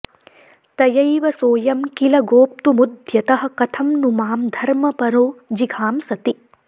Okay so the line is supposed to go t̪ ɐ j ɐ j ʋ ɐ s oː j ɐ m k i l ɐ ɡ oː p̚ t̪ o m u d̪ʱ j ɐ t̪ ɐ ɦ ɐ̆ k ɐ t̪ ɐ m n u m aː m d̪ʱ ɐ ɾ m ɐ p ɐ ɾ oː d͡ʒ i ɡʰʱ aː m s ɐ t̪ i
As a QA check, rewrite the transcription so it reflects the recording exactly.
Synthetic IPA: t̪ ɐ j ɐ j ʋ ɐ s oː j ɐ m k i l ɐ ɡ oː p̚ t̪ u m u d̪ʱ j ɐ t̪ ɐ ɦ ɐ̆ k ɐ t̪ʰ ɐ m n u m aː m d̪ʱ ɐ ɾ m ɐ p ɐ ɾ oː d͡ʒ i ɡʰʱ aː m s ɐ t̪ i

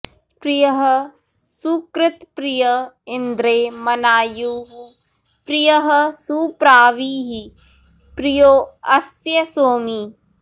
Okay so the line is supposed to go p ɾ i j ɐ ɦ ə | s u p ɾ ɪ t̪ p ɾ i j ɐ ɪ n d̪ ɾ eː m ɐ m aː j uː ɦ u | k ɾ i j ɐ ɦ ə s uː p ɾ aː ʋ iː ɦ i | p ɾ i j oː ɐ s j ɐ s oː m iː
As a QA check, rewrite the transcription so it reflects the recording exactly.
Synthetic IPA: p ɾ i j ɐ ɦ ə | s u k ɾ ɪ t̪ p ɾ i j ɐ ɪ n d̪ ɾ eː m ɐ n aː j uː ɦ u | p ɾ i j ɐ ɦ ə s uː p ɾ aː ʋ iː ɦ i | p ɾ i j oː ɐ s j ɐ s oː m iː

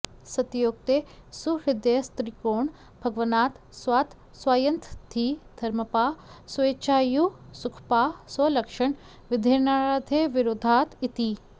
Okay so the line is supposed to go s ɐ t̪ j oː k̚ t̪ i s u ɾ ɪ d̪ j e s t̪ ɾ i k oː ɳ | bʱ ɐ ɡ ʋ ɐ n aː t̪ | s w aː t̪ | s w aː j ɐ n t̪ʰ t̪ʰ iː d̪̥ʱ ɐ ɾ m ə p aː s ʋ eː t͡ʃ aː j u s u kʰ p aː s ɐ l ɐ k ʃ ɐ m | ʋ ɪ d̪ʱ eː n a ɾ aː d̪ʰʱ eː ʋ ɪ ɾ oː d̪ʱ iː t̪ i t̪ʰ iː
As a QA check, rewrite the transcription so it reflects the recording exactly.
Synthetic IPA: s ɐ t̪ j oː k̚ t̪ e s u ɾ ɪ d̪ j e s t̪ ɾ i k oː ɳ | bʱ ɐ ɡ ʋ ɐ n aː t̪ | s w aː t̪ | s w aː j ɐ n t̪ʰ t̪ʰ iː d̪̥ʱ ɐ ɾ m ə p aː s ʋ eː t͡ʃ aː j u s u kʰ p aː s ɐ l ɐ k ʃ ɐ ɳ | ʋ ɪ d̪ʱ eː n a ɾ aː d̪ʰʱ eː ʋ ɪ ɾ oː d̪ʱ aː t̪ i t̪ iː

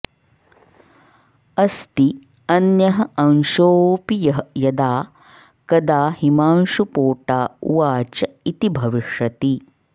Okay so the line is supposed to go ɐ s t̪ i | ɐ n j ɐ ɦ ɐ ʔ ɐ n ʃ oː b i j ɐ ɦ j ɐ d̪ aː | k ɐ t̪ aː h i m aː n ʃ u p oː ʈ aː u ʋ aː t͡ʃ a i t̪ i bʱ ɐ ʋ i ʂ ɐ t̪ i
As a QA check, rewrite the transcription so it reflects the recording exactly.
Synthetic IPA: ɐ s t̪ i | ɐ n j ɐ ɦ ɐ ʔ ɐ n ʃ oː p i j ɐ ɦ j ɐ d̪ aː | k ɐ d̪ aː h i m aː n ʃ u p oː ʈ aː u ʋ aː t͡ʃ ɐ i t̪ i bʱ ɐ ʋ i ʂ ɐ t̪ i

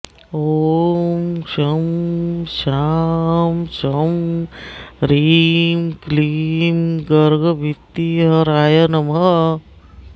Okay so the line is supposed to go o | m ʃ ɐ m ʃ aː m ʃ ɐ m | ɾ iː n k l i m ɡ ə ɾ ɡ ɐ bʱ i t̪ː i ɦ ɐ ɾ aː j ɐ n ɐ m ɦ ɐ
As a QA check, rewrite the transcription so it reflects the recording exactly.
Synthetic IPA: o | m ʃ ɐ m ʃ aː m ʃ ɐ m | ɾ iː m k l i m ɡ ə ɾ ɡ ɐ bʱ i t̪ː i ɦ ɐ ɾ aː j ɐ n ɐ m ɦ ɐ

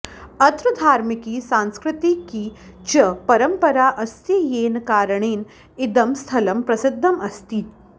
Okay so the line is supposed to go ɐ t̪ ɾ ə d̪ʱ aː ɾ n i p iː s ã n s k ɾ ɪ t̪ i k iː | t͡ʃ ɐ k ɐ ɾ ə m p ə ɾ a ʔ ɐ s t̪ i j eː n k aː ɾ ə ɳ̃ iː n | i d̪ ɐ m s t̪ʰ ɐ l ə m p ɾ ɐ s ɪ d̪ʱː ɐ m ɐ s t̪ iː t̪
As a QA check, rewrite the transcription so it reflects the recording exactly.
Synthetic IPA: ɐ t̪ ɾ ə d̪ʱ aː ɾ m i k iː s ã n s k ɾ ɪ t̪ i k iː | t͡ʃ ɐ p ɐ ɾ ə m p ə ɾ a ʔ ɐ s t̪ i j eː n k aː ɾ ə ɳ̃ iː n | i d̪ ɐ m s t̪ʰ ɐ l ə m p ɾ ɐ s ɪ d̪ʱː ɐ m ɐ s t̪ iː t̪

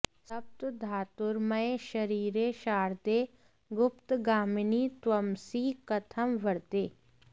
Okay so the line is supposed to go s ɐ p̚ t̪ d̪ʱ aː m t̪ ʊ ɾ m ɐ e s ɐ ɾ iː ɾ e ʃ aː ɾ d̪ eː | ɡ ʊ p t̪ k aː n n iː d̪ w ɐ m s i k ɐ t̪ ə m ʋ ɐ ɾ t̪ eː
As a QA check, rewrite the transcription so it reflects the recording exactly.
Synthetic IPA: s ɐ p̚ t̪ d̪ʱ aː t̪ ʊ ɾ m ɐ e ʃ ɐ ɾ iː ɾ e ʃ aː ɾ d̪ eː | ɡ ʊ p t̪ ɡ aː m n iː t̪ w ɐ m s i k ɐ t̪ʰ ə m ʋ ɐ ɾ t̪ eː

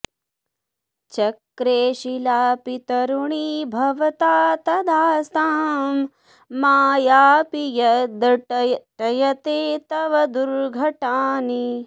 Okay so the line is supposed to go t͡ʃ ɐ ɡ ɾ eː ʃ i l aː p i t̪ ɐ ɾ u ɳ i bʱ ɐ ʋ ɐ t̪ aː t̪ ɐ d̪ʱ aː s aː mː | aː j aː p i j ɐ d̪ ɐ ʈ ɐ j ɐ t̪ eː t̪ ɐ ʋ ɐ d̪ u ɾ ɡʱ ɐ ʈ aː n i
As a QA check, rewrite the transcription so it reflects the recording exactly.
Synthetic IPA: t͡ʃ ɐ k ɾ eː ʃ i l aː p i t̪ ɐ ɾ u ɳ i bʱ ɐ ʋ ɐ t̪ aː t̪ ɐ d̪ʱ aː s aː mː | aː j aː p i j ɐ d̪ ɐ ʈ ɐ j ɐ t̪ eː t̪ ɐ ʋ ɐ d̪ u ɾ ɡʱ ɐ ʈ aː n i

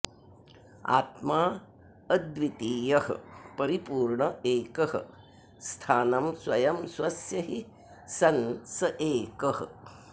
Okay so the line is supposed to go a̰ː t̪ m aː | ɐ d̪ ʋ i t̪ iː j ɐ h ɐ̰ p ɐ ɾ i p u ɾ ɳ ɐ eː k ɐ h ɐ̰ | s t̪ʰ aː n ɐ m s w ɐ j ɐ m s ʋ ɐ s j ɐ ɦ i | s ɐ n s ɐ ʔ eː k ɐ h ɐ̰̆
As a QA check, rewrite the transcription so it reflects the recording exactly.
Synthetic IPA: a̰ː t̪ m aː | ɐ d̪ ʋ i t̪ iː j ɐ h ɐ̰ p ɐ ɾ i p uː ɾ ɳ ɐ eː k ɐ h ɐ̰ | s t̪ʰ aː n ɐ m s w ɐ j ɐ m s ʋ ɐ s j ɐ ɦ i | s ɐ n s ɐ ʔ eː k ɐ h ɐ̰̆

